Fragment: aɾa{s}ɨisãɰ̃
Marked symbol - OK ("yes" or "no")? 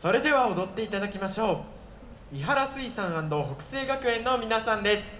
yes